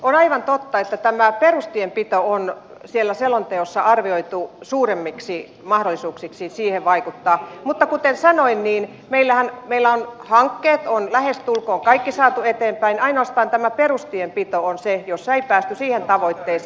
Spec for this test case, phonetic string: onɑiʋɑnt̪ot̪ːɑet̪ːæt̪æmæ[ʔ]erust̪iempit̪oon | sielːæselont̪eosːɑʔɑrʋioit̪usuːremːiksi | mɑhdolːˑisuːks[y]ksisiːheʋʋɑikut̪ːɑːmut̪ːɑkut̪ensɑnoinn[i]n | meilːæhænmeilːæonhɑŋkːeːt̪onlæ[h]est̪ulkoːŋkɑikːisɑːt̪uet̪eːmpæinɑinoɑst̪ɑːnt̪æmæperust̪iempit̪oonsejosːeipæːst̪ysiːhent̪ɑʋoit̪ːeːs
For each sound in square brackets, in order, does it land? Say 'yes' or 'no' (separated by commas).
no, no, no, yes